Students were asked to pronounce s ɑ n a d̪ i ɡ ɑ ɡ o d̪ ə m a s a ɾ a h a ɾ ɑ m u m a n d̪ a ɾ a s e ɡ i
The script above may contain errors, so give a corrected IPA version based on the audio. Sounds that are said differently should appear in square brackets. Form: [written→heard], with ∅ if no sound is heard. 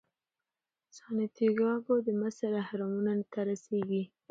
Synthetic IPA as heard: s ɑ n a [d̪→t̪] i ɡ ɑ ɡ o d̪ ə m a s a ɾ a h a ɾ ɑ m u [m→n] a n [d̪→t̪] a ɾ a s e ɡ i